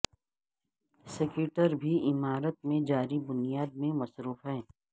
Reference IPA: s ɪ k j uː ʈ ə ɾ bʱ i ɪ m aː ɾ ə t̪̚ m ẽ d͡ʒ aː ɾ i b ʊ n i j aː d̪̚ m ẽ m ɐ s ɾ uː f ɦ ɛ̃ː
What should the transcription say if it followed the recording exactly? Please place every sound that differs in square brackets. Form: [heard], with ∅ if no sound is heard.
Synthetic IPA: s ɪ k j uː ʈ ə ɾ bʱ i ɪ m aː ɾ ə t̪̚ m ẽ d͡ʒ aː ɾ i b ʊ n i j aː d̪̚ m ẽ m ɐ s ɾ uː f ɦ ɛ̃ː